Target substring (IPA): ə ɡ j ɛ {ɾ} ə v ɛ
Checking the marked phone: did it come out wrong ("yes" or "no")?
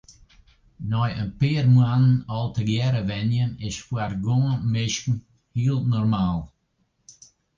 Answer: no